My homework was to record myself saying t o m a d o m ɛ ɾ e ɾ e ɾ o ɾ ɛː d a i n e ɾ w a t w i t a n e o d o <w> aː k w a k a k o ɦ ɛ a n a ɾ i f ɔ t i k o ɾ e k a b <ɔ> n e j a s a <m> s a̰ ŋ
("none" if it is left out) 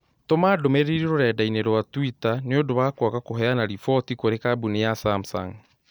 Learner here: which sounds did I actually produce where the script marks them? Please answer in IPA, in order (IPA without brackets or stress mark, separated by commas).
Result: β, u, m